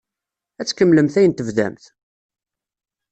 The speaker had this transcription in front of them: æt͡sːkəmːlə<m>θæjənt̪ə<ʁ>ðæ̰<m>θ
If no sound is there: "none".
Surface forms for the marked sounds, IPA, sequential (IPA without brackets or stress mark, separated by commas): m, v, m